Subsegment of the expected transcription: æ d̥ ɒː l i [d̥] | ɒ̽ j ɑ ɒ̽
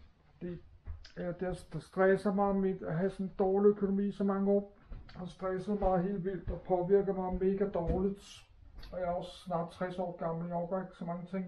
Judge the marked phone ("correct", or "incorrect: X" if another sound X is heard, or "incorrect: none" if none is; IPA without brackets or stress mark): correct